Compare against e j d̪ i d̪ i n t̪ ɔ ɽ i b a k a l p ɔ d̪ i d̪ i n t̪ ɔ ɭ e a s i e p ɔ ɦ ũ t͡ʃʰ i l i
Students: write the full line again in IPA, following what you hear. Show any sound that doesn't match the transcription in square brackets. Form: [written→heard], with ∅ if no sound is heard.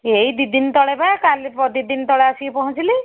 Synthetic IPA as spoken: e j d̪ i d̪ i n t̪ ɔ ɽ [i→e] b a k a l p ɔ d̪ i d̪ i n t̪ ɔ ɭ e a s i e p ɔ ɦ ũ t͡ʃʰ i l i